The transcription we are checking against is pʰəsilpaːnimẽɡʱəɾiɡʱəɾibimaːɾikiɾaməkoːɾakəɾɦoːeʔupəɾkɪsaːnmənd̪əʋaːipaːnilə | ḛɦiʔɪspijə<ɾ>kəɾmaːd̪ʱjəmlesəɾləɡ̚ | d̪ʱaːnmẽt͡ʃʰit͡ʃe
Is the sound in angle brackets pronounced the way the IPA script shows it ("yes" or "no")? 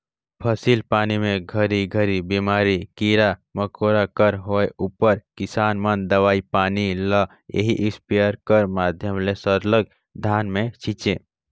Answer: yes